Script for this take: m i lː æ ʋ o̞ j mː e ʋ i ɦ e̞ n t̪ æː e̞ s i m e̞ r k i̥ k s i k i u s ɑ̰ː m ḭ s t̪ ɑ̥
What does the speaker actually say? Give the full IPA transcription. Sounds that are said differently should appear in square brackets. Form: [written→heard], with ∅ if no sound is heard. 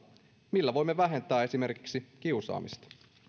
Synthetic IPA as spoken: m i lː æ ʋ o̞ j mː e ʋ [i→æ] ɦ e̞ n t̪ æː e̞ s i m e̞ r k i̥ k s i k i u s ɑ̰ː m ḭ s t̪ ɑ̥